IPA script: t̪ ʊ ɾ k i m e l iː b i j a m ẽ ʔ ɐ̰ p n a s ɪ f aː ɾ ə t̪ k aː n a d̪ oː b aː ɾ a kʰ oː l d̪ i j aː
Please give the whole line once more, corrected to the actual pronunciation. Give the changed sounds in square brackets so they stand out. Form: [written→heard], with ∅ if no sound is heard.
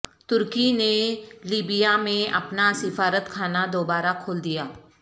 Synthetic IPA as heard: t̪ ʊ ɾ k i [m→n] e l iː b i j a m ẽ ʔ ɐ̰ p n a s ɪ f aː ɾ ə t̪ [k→kʰ] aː n a d̪ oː b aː ɾ a kʰ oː l d̪ i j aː